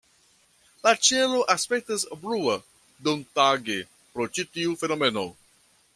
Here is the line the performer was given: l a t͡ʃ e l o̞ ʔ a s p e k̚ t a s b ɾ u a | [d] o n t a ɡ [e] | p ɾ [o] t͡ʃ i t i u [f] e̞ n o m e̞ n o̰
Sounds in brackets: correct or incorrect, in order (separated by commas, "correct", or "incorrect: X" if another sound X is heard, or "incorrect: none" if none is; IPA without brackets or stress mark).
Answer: correct, correct, correct, correct